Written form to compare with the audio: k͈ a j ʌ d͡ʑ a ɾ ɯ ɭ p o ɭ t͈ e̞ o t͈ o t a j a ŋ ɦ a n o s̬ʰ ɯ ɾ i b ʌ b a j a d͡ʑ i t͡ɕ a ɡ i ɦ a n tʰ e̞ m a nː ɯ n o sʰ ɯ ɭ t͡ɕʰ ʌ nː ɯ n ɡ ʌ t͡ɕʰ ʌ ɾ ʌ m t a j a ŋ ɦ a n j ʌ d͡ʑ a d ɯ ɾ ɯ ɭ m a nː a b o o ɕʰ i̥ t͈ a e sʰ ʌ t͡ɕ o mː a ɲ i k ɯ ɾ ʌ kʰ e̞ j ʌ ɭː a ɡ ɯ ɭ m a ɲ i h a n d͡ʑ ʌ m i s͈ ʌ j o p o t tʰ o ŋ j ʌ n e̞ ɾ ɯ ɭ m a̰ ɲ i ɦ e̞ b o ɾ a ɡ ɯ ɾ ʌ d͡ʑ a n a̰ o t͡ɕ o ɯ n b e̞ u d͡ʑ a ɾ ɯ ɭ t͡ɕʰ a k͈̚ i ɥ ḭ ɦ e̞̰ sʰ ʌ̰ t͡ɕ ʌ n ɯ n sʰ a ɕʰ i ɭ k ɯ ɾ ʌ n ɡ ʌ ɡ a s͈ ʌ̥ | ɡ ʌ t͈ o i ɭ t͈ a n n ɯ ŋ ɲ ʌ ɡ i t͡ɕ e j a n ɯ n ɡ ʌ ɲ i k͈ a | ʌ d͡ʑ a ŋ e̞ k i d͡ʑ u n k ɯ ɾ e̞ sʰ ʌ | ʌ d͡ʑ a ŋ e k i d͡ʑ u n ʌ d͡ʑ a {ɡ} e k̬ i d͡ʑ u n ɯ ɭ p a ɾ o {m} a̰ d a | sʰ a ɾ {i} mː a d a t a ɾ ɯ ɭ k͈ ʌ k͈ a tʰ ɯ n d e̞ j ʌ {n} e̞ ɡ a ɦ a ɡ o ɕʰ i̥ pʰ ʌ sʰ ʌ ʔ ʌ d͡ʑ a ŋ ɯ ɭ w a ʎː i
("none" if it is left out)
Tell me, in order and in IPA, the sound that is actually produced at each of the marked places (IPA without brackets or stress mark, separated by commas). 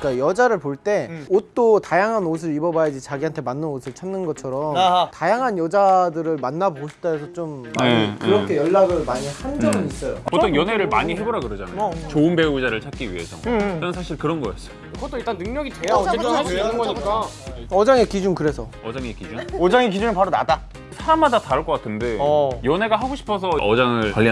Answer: ŋ, n, a, n